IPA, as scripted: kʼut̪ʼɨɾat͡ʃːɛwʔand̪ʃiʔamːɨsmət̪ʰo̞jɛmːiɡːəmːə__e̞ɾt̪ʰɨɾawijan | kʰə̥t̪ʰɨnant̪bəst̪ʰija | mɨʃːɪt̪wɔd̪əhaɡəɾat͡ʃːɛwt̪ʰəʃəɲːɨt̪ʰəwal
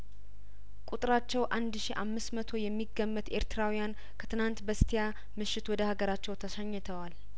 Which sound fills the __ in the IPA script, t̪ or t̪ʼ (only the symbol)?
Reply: t̪